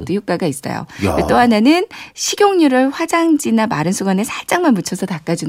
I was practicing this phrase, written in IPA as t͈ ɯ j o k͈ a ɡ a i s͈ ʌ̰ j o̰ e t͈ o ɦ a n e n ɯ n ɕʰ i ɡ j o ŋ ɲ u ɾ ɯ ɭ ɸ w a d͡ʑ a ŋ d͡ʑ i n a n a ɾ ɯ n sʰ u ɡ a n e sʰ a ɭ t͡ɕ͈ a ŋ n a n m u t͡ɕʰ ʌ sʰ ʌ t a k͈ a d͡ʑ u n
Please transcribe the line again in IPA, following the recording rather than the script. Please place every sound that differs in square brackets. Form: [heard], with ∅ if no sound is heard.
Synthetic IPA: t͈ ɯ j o k͈ a ɡ a i s͈ ʌ̰ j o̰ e t͈ o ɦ a n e n ɯ n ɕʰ i ɡ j o ŋ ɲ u ɾ ɯ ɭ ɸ w a d͡ʑ a ŋ d͡ʑ i n a [m] a ɾ ɯ n sʰ u ɡ a n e sʰ a ɭ t͡ɕ͈ a ŋ [m] a n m u t͡ɕʰ ʌ sʰ ʌ t a k͈ a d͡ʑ u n